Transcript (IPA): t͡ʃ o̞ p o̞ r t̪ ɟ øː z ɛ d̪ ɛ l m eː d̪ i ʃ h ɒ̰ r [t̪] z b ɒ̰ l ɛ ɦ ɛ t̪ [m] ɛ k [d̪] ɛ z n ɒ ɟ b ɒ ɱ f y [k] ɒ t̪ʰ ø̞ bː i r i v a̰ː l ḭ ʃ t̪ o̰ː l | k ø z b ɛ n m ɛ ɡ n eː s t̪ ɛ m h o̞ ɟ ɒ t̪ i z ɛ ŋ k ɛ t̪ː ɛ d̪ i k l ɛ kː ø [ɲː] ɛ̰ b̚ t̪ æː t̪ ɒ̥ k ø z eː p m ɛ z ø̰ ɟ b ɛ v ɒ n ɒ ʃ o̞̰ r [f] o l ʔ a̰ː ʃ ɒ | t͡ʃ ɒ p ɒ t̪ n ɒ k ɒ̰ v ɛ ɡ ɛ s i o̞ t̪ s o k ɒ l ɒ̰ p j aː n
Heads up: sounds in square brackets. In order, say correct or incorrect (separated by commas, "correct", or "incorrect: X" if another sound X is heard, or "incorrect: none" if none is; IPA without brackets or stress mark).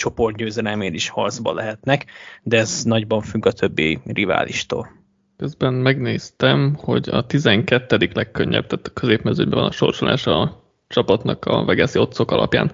incorrect: d̪, incorrect: n, correct, incorrect: ɡ, correct, incorrect: ʃ